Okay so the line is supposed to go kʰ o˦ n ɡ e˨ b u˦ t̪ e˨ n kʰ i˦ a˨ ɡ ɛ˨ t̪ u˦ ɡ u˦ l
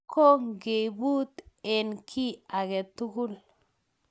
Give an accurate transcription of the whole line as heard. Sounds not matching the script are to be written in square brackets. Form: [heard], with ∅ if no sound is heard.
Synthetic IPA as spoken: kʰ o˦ [ŋ] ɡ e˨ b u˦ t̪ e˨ n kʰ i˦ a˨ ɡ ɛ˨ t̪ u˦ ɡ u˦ l